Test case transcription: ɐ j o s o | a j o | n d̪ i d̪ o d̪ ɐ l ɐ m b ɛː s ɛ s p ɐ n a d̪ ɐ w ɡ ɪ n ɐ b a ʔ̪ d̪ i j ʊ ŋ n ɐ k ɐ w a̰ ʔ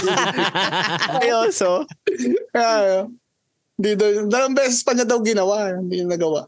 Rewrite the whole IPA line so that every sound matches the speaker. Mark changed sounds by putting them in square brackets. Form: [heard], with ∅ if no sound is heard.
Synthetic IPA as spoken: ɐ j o s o | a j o | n d̪ i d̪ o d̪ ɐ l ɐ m b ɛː s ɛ s p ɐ [ɲ] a d̪ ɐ w ɡ ɪ n ɐ [w] a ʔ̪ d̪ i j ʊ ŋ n ɐ [ɡ] ɐ w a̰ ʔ